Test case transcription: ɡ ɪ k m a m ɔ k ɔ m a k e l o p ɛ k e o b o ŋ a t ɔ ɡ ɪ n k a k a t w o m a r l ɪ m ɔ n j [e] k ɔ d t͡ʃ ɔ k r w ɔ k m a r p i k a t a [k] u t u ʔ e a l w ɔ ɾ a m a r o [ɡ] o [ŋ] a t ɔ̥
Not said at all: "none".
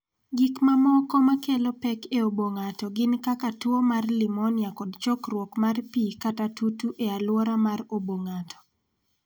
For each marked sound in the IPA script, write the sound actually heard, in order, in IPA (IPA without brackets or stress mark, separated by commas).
a, t, b, ŋ